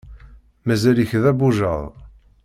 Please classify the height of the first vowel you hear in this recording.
low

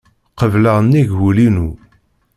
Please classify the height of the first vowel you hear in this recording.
mid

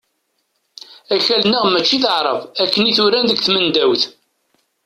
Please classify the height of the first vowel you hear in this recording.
low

